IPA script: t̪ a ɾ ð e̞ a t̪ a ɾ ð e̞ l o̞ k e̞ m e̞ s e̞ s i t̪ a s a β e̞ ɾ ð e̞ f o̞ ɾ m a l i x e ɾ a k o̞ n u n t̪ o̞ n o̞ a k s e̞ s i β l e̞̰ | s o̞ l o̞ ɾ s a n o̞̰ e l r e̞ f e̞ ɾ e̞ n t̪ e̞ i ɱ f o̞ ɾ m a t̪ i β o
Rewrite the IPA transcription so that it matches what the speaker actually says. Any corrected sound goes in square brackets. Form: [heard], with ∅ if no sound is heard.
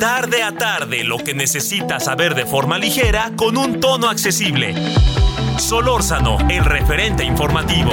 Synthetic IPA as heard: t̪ a ɾ ð e̞ a t̪ a ɾ ð e̞ l o̞ k e̞ [n] e̞ s e̞ s i t̪ a s a β e̞ ɾ ð e̞ f o̞ ɾ m a l i x e ɾ a k o̞ n u n t̪ o̞ n o̞ a k s e̞ s i β l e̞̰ | s o̞ l o̞ ɾ s a n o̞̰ e l r e̞ f e̞ ɾ e̞ n t̪ e̞ i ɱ f o̞ ɾ m a t̪ i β o